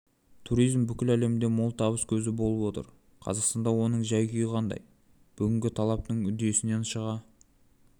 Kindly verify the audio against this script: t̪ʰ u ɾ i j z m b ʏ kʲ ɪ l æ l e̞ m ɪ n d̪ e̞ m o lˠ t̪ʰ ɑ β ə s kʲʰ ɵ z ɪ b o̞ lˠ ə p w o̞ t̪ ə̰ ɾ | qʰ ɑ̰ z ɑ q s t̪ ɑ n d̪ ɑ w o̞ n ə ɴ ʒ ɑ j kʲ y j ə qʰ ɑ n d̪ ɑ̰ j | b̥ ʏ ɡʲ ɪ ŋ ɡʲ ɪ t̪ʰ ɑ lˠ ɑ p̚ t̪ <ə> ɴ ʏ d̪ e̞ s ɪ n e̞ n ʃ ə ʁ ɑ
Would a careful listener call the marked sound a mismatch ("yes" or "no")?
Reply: no